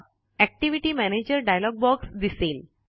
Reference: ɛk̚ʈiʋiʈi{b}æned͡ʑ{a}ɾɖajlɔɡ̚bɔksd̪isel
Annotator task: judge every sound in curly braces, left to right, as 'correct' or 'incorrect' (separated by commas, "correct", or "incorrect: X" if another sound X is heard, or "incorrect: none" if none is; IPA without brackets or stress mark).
incorrect: m, incorrect: ə